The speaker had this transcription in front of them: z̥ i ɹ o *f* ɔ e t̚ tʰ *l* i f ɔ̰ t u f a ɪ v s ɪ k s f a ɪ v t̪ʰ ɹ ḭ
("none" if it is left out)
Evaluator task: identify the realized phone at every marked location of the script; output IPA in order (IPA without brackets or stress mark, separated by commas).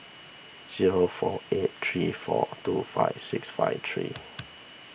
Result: f, ɹ